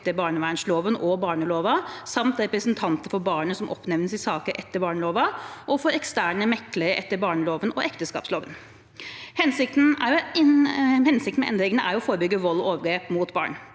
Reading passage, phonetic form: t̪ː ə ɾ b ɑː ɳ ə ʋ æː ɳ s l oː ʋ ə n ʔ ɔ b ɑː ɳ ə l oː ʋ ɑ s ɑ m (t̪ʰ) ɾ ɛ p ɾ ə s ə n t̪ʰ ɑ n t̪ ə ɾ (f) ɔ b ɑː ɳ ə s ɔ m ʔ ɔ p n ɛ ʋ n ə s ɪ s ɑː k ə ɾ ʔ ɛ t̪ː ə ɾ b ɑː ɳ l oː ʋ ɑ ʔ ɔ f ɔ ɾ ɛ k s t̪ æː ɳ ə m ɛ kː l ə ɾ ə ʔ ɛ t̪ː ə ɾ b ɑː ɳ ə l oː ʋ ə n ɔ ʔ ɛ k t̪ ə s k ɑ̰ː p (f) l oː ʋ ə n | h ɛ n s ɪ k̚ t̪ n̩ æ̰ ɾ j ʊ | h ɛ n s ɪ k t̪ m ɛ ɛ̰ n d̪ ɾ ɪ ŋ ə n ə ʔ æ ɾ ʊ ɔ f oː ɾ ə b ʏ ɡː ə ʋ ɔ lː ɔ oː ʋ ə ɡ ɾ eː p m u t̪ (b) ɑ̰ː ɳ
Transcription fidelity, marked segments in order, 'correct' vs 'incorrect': incorrect: t̪, correct, incorrect: s, correct

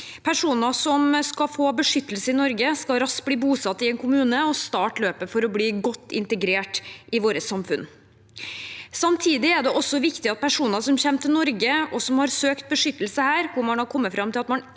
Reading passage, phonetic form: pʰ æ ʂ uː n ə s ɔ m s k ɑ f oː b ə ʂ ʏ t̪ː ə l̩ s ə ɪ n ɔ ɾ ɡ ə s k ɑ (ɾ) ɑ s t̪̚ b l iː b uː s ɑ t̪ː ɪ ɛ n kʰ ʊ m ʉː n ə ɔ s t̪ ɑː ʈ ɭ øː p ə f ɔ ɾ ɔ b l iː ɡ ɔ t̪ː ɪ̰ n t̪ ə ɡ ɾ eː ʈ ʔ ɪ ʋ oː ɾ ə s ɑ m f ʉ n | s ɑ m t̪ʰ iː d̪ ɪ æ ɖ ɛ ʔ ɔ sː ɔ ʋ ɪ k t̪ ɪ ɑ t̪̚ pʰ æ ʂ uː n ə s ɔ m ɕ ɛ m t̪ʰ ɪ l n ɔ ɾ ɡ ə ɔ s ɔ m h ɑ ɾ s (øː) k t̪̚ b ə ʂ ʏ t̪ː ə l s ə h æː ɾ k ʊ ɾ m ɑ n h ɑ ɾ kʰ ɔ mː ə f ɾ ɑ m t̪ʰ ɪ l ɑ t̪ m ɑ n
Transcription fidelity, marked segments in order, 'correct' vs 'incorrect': correct, correct

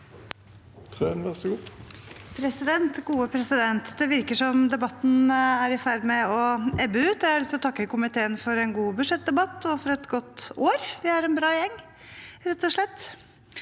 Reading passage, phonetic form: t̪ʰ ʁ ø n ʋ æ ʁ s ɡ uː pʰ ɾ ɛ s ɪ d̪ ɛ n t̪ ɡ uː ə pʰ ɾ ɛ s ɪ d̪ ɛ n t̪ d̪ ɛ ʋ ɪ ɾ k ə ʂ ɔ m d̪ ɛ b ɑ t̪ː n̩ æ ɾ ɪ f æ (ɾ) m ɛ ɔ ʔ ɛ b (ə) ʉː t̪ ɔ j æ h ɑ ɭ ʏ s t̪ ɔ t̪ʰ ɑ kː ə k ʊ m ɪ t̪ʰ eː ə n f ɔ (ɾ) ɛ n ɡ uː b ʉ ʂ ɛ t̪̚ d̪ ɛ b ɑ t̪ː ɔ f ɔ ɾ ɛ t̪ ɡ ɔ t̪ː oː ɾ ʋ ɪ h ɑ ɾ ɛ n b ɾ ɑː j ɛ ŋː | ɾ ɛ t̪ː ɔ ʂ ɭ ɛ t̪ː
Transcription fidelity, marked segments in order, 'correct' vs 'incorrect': correct, correct, correct

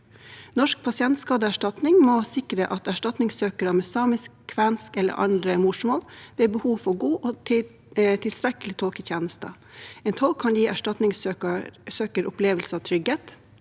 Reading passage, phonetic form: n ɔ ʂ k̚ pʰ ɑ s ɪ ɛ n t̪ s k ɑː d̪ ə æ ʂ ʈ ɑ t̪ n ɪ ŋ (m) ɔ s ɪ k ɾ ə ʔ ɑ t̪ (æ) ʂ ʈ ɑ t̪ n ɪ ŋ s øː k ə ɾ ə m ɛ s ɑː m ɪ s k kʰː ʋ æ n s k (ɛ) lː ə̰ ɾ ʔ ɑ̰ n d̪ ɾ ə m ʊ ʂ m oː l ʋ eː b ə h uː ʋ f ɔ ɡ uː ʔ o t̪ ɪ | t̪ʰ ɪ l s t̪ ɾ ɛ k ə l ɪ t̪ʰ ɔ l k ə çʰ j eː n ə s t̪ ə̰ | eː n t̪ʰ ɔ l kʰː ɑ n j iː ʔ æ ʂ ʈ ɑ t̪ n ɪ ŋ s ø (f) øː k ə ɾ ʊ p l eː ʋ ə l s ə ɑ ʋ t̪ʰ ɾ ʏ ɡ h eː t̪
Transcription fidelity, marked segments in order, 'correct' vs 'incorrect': correct, correct, correct, incorrect: s

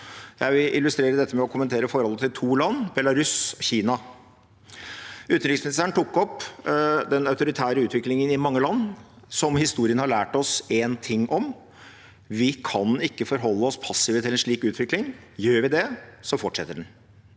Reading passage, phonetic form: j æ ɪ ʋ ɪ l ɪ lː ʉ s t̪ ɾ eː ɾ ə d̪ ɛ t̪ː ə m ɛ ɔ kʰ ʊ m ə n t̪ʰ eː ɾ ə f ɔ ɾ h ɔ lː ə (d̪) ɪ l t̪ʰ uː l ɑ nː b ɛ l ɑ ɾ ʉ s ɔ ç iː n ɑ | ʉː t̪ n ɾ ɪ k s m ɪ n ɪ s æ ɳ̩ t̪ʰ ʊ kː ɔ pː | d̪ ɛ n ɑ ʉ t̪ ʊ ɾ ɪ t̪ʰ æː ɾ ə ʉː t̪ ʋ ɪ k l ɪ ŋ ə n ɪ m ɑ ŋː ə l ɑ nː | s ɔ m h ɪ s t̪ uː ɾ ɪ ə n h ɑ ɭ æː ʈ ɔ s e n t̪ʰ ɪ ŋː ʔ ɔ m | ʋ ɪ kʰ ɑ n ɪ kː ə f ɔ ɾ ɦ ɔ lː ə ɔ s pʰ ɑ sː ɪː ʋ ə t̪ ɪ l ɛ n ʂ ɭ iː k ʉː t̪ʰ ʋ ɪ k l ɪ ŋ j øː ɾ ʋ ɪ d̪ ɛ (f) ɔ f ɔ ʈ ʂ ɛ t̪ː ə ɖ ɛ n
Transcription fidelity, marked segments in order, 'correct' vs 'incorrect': incorrect: t̪, incorrect: s

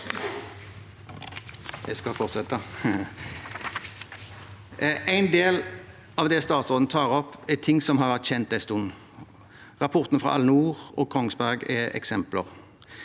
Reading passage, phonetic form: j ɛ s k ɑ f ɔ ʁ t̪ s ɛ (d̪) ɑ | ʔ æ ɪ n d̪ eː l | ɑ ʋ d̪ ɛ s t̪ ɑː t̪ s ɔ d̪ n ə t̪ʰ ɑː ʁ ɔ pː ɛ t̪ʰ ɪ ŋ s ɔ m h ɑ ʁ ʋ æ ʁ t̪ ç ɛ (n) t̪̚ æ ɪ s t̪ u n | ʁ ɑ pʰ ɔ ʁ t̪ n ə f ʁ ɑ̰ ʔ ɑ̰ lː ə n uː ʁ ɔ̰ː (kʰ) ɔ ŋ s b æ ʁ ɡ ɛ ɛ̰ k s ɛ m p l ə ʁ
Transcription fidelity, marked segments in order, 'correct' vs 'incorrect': incorrect: t̪, correct, correct

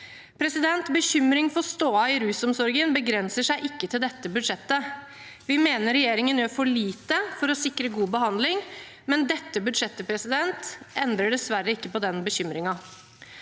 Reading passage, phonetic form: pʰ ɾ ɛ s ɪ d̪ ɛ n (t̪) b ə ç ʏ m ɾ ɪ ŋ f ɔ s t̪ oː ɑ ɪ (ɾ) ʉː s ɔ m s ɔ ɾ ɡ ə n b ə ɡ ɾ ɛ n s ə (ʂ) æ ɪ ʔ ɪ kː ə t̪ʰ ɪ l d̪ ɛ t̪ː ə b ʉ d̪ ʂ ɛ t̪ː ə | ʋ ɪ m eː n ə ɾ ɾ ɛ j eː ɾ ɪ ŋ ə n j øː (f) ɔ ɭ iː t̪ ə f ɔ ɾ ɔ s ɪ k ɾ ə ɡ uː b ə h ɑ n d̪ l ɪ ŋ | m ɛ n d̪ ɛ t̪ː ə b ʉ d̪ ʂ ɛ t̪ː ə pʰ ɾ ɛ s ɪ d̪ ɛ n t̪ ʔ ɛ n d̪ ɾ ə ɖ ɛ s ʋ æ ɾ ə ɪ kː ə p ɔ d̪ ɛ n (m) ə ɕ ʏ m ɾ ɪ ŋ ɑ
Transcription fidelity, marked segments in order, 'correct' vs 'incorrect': correct, correct, correct, correct, incorrect: b

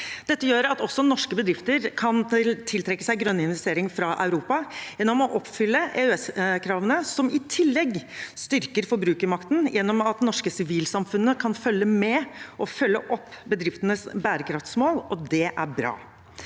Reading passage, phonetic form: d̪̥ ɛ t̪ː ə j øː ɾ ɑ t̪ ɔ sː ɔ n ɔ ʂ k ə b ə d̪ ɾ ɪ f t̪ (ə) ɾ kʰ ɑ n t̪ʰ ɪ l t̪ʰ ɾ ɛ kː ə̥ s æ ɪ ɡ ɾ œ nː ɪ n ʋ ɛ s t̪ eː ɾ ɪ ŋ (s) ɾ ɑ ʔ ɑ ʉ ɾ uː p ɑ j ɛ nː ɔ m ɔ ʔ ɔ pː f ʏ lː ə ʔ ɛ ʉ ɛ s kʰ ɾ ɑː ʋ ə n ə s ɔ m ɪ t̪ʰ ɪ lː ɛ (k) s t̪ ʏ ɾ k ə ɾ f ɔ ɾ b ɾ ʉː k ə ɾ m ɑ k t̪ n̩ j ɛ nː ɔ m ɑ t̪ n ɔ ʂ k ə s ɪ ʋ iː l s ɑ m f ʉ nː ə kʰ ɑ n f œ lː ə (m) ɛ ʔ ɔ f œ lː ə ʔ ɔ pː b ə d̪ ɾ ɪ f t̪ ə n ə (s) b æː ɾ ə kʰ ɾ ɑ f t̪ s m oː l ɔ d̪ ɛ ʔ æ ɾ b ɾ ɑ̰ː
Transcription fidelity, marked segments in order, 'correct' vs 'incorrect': correct, incorrect: f, incorrect: ɡ, correct, correct

